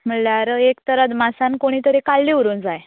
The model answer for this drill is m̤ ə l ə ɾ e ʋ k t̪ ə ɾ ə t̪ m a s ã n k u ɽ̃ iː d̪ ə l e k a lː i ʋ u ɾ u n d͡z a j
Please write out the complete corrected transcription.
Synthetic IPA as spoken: m̤ ə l a ɾ e k t̪ ə ɾ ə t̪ m a s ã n k o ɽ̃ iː t̪ ə ɾ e k a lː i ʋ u ɾ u n d͡z a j